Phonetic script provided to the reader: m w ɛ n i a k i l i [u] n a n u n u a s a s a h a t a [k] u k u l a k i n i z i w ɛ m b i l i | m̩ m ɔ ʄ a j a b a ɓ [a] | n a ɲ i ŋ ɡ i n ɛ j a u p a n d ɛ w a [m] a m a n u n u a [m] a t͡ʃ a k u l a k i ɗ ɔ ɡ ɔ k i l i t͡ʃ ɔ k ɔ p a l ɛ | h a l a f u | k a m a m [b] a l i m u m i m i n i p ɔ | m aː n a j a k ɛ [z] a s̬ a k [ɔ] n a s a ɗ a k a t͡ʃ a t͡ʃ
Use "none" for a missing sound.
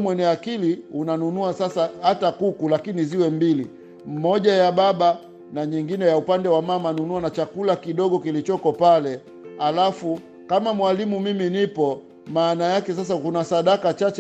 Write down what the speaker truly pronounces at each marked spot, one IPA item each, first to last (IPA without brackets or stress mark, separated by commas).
u, k, a, m, n, w, s, u